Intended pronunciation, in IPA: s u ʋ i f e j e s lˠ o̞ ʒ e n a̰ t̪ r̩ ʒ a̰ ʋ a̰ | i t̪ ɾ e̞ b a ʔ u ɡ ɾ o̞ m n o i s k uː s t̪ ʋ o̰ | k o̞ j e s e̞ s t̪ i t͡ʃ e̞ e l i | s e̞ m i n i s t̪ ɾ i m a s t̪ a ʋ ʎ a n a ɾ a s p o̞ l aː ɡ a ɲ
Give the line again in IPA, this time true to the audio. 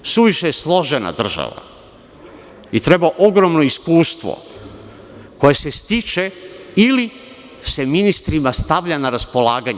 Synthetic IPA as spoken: s u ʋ i ʃ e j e s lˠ o̞ ʒ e n a̰ d̪ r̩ ʒ a̰ ʋ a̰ | i t̪ ɾ e̞ b a ʔ o ɡ ɾ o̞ m n o i s k uː s t̪ ʋ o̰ | k o̞ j e s e̞ s t̪ i t͡ʃ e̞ i l i | s e̞ m i n i s t̪ ɾ i m a s t̪ a ʋ ʎ a n a ɾ a s p o̞ l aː ɡ a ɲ